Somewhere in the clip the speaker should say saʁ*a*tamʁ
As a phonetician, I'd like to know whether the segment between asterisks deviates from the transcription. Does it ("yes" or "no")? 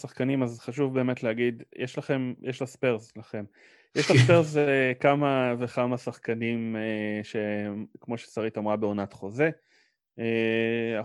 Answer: yes